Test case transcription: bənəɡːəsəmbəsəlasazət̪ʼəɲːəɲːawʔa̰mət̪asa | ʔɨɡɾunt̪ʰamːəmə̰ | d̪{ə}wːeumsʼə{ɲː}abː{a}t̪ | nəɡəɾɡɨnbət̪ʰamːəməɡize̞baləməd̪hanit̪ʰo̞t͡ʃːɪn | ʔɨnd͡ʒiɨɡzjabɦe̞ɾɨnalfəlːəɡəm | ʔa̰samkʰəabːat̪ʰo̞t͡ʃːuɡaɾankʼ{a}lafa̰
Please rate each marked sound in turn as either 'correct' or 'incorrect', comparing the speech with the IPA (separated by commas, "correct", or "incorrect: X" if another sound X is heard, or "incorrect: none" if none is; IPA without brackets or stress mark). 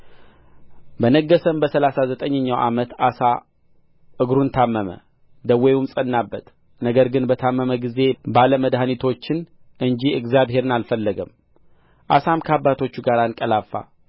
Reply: correct, incorrect: nː, incorrect: ə, incorrect: ə